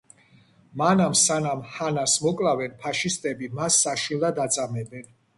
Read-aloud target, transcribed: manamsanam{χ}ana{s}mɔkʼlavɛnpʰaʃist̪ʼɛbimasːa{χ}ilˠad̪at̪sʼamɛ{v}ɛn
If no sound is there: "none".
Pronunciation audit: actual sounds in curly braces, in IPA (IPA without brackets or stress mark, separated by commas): h, s, ʃ, b